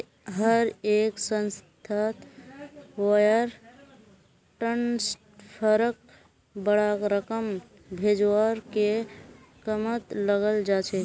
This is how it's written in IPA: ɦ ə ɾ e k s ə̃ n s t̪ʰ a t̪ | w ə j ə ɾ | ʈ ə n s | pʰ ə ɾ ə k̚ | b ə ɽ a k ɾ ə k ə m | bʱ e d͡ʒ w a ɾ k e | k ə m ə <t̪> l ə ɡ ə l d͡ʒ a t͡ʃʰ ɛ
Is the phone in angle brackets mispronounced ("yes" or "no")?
no